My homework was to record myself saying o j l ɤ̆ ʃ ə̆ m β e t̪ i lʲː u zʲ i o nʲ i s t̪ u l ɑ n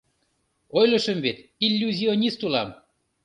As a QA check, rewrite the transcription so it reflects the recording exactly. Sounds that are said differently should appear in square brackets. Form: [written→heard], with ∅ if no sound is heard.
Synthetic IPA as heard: o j l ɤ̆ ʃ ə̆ m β e t̪ i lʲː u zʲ i o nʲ i s t̪ u l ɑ [n→m]